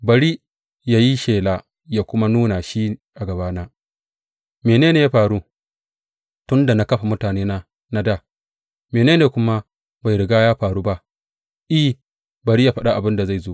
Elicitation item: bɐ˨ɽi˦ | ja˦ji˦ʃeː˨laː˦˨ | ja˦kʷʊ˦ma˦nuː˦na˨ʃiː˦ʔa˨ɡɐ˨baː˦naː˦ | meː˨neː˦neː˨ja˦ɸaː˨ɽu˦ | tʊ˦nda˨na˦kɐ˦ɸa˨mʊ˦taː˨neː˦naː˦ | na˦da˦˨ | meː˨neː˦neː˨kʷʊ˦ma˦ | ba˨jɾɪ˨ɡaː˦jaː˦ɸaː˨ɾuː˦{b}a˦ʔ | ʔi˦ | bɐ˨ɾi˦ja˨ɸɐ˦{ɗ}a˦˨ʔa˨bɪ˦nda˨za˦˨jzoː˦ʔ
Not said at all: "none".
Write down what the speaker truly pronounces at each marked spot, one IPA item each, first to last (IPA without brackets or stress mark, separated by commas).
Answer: b, ɗ